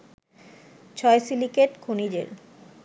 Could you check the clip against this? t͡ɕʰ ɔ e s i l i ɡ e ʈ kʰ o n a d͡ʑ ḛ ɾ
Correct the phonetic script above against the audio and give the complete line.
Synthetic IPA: t͡ɕʰ ɔ e s i l i k e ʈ kʰ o n i d͡ʑ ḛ ɾ